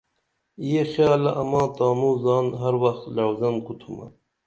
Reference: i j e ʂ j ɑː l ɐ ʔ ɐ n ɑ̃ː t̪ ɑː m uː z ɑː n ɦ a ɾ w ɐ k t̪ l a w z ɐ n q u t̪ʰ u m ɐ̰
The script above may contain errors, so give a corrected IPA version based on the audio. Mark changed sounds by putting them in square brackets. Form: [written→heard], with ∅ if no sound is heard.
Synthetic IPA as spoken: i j e [ʂ→x] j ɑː l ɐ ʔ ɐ [n→m] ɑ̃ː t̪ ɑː m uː z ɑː n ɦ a ɾ w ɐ [k→x] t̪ l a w z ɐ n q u t̪ʰ u m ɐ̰